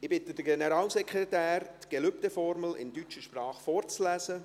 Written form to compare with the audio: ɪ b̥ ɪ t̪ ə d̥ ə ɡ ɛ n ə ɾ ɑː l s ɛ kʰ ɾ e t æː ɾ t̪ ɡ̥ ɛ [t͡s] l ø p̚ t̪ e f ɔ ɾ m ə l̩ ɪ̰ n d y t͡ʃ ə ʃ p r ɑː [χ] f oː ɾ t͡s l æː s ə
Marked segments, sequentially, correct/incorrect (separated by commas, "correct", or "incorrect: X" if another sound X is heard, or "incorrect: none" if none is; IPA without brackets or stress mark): incorrect: none, correct